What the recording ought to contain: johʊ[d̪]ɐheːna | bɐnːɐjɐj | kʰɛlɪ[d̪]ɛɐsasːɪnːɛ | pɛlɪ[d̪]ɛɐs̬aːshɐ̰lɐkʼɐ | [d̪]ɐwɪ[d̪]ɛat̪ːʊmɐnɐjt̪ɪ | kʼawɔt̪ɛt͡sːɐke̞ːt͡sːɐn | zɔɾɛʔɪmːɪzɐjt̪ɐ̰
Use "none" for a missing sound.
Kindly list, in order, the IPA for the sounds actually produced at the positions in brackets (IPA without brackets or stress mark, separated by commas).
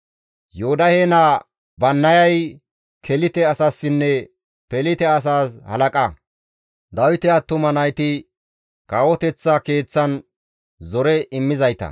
d̪, t̪, t̪, d̪, t̪